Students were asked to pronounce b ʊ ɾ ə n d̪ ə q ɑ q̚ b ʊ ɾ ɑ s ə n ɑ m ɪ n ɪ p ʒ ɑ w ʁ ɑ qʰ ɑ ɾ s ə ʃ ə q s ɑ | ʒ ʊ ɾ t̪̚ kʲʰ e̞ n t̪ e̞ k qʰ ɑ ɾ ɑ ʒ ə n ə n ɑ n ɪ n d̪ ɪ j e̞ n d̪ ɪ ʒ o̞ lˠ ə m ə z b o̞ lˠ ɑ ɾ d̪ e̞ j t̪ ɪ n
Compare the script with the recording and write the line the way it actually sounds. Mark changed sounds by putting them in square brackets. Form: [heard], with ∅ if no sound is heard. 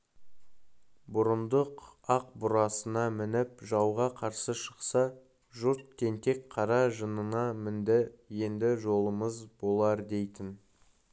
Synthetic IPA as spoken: b ʊ ɾ ə n d̪ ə q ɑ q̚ b ʊ ɾ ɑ s ə n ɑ m ɪ n ɪ p ʒ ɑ w ʁ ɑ qʰ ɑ ɾ s ə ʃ ə q s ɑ | ʒ ʊ ɾ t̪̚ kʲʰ e̞ n t̪ e̞ k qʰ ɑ ɾ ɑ ʒ ə n ə n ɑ [m] ɪ n d̪ ɪ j e̞ n d̪ ɪ ʒ o̞ lˠ ə m ə z b o̞ lˠ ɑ ɾ d̪ e̞ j t̪ ɪ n

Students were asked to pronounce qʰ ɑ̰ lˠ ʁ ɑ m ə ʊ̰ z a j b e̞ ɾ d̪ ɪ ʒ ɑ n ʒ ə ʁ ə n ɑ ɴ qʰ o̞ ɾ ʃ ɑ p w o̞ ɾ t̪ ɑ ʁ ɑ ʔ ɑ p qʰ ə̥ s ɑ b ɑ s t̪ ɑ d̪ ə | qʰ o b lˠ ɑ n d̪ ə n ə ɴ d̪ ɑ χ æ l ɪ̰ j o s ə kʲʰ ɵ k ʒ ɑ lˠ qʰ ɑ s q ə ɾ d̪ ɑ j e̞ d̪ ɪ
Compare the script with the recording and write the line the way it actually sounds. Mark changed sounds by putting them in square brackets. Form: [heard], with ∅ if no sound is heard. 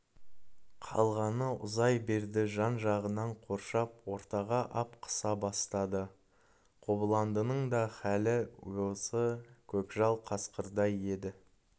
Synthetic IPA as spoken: qʰ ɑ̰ lˠ ʁ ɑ [n] ə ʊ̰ z [ɑ] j b e̞ ɾ d̪ ɪ ʒ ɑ n ʒ [ɑ] ʁ ə n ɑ ɴ qʰ o̞ ɾ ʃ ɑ p w o̞ ɾ t̪ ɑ ʁ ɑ ʔ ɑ p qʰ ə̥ s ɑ b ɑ s t̪ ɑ d̪ ə | qʰ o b lˠ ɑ n d̪ ə n ə ɴ d̪ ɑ χ æ l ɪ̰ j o s ə kʲʰ ɵ k ʒ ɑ lˠ qʰ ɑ s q ə ɾ d̪ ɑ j e̞ d̪ ɪ

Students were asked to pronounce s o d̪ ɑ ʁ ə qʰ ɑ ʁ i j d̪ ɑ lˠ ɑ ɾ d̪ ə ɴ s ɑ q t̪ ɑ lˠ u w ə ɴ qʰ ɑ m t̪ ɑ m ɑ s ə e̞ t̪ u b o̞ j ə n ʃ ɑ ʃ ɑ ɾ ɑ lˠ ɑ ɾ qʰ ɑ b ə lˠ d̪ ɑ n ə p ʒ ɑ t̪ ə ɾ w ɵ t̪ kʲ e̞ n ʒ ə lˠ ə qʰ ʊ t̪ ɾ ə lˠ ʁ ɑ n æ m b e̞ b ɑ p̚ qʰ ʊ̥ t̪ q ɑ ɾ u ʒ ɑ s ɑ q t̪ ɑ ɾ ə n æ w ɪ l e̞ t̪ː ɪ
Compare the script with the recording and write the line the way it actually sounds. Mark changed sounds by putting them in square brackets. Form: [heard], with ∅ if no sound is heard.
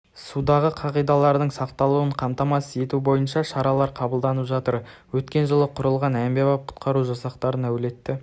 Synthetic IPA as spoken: s [u] d̪ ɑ ʁ ə qʰ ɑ ʁ i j d̪ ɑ lˠ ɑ ɾ d̪ ə ɴ s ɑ q t̪ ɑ lˠ u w ə ɴ qʰ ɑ m t̪ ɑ m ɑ s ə e̞ t̪ u b o̞ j ə n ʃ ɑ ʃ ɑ ɾ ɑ lˠ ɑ ɾ qʰ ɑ b ə lˠ d̪ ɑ n ə p ʒ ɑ t̪ ə ɾ w ɵ t̪ kʲ e̞ n ʒ ə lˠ ə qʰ ʊ [∅] ɾ ə lˠ ʁ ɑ n æ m b e̞ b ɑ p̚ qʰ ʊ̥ t̪ q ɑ ɾ u ʒ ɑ s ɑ q t̪ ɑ ɾ ə n æ w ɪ l e̞ t̪ː ɪ

